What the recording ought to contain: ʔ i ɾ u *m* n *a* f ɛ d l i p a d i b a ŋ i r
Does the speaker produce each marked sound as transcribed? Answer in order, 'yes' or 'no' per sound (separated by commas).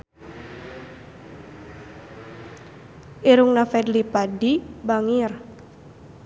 no, yes